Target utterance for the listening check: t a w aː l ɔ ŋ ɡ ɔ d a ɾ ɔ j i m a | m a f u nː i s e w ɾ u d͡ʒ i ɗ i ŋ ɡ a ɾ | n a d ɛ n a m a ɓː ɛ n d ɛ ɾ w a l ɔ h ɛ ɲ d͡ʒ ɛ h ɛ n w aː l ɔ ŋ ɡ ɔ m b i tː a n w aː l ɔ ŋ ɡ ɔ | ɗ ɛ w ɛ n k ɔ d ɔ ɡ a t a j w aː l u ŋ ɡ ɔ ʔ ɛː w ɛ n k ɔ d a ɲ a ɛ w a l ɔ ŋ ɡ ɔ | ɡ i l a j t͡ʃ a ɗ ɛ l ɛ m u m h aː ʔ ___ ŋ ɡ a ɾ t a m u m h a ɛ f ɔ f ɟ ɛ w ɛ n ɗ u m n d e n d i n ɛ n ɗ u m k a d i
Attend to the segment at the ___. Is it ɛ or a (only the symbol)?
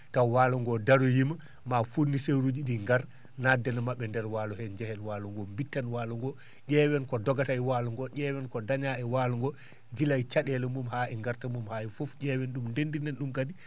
ɛ